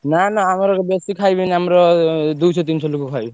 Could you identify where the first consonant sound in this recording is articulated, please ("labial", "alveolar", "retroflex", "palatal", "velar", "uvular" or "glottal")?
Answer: alveolar